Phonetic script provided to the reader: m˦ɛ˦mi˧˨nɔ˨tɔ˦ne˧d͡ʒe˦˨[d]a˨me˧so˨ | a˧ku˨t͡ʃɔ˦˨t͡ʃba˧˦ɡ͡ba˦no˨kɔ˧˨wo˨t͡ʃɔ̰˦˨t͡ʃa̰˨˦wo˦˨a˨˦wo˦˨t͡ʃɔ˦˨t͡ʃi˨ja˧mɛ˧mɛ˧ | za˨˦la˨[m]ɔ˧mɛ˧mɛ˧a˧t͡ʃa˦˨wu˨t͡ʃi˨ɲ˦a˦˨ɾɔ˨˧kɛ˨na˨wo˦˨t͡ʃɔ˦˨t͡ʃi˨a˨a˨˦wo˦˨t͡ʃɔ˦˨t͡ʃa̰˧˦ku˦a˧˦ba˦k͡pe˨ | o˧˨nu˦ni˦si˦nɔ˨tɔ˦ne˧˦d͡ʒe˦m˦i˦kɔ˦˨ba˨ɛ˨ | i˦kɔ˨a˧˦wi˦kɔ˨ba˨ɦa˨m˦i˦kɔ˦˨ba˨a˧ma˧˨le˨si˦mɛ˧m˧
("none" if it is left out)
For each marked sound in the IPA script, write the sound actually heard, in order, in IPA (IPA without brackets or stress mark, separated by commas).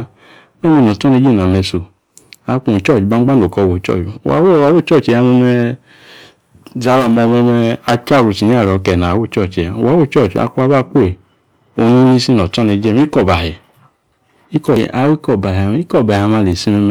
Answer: n, m